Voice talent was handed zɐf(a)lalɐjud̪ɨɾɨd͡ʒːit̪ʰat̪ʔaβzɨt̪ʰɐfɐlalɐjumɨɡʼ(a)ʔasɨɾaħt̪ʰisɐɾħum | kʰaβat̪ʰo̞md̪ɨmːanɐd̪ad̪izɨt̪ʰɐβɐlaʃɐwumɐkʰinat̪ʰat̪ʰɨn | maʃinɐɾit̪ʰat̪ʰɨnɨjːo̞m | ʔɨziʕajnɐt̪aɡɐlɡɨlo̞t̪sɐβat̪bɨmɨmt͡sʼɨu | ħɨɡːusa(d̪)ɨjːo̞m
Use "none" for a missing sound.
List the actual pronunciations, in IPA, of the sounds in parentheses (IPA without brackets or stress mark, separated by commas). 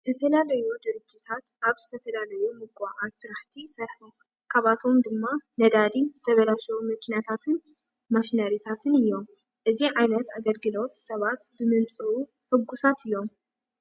ɐ, a, t̪